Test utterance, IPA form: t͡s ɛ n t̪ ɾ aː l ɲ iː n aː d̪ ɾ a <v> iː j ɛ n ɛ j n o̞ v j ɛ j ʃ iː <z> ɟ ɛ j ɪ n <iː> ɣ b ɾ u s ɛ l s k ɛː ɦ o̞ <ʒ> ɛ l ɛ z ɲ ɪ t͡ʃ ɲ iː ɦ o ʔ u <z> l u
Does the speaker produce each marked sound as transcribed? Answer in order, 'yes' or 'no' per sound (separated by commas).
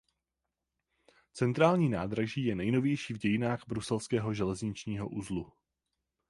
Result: no, no, no, yes, yes